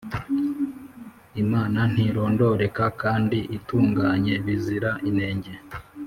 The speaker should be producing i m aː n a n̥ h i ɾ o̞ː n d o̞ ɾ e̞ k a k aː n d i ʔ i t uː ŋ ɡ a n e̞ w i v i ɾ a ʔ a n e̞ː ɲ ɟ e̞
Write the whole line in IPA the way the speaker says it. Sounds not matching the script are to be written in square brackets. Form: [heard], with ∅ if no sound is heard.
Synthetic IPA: i m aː n a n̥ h i ɾ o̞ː n d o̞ ɾ e̞ k a k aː n d i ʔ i t uː ŋ ɡ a [ɲ] e̞ [β] i [z] i ɾ a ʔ [i] n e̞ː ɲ ɟ e̞